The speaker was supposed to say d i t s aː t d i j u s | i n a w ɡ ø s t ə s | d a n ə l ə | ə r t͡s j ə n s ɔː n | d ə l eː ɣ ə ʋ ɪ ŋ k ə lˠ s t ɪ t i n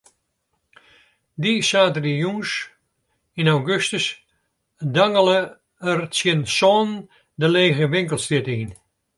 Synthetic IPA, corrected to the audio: d i s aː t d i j u s | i n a w ɡ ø s t ə s | d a ŋ ə l ə | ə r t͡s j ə n s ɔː n | d ə l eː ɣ ə ʋ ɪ ŋ k ə lˠ s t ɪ t i n